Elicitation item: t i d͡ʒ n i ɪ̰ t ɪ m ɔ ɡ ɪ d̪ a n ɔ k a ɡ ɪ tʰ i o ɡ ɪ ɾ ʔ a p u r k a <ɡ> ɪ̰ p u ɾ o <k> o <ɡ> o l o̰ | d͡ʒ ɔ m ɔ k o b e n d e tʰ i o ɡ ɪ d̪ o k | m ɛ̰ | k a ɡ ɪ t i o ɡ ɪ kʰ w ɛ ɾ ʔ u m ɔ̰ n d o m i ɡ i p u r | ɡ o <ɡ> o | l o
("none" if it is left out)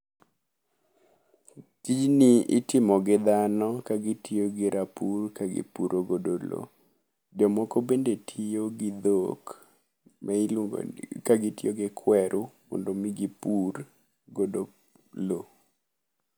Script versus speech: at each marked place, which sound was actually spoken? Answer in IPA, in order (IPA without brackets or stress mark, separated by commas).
ɡ, ɡ, d, d